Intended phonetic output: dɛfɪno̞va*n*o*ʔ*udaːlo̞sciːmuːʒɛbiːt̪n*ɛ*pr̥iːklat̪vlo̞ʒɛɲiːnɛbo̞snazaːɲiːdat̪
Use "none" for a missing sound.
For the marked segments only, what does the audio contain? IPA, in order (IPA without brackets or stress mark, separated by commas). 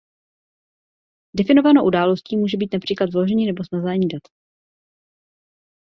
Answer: n, ʔ, a